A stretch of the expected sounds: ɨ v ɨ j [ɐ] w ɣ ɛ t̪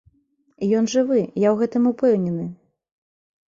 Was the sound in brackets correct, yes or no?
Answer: no